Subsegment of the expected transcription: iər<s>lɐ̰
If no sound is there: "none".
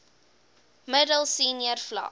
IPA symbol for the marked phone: f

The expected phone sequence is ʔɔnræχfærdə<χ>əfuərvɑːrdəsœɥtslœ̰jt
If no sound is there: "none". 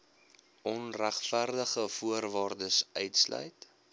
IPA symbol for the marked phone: χ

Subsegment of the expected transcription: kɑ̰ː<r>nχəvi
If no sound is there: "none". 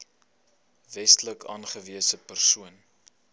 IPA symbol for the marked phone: none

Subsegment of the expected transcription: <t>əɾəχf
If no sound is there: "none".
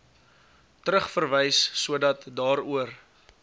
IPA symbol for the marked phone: t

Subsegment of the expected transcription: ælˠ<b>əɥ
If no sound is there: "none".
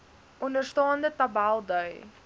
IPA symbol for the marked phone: d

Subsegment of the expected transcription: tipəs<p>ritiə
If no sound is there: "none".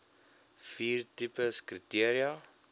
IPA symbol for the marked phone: k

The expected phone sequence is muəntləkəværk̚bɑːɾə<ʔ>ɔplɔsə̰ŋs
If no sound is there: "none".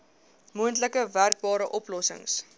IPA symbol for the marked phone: ʔ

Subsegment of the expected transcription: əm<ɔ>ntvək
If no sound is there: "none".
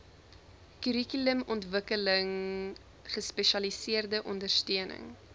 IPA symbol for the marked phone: ɔ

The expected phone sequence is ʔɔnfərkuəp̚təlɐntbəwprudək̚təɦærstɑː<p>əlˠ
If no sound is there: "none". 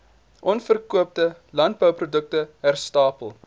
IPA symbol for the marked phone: p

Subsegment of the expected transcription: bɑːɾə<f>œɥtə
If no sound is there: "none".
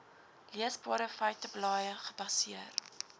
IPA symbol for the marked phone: f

